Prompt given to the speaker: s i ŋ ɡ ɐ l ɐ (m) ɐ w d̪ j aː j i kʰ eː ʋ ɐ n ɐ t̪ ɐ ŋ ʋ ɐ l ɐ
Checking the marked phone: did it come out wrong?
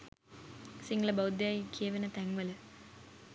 yes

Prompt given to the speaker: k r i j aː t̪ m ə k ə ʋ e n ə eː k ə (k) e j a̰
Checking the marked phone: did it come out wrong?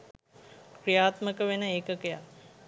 no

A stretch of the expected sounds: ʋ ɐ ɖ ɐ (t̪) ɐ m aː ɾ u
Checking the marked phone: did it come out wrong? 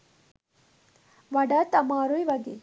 no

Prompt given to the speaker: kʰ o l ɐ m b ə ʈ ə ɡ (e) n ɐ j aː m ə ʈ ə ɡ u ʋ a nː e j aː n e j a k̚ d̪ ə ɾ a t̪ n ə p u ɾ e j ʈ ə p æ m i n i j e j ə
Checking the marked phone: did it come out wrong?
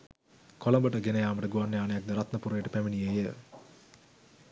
no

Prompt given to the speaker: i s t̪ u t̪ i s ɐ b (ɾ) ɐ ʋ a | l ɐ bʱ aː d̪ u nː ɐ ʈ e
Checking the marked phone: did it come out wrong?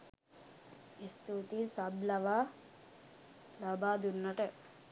yes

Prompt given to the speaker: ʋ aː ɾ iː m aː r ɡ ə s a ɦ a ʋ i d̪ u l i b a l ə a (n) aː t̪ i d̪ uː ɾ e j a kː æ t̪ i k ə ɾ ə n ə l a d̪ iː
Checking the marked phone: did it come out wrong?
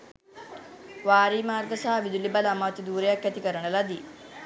yes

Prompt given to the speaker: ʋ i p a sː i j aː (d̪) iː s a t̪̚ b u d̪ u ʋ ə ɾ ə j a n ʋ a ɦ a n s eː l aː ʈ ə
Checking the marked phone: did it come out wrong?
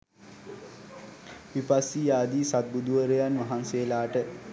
no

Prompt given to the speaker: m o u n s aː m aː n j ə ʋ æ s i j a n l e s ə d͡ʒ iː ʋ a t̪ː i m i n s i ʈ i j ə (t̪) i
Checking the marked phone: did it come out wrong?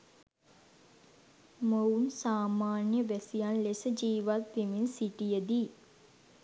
yes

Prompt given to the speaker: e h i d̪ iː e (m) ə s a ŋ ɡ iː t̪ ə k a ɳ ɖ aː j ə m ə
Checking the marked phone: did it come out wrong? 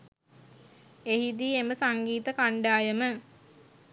no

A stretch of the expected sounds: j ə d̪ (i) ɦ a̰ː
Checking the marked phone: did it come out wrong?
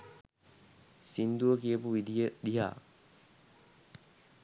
no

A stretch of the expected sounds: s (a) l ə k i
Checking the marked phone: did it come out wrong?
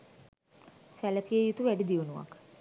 yes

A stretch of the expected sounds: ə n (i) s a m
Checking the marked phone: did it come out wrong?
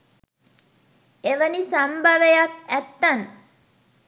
no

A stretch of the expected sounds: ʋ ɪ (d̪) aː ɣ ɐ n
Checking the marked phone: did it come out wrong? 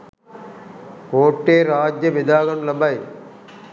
no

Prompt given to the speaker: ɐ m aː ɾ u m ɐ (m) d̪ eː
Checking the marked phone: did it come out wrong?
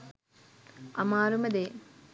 yes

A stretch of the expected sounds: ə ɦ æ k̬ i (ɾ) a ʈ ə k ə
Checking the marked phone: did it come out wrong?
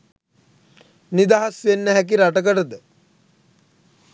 no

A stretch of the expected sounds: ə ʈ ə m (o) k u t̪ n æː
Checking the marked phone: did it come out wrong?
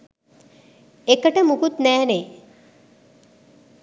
yes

